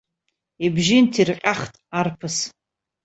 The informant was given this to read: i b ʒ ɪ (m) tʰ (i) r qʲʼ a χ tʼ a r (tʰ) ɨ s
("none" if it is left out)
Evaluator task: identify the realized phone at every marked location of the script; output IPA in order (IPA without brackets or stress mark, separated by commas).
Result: n, i, pʰ